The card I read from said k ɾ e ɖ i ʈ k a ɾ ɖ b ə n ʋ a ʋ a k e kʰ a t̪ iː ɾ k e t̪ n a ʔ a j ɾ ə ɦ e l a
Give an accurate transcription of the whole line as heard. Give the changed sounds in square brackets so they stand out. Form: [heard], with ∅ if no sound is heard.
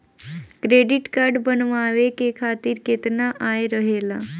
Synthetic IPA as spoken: k ɾ e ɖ i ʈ k a ɾ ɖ b ə n ʋ a ʋ [e] k e kʰ a t̪ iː ɾ k e t̪ n a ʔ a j ɾ ə ɦ e l a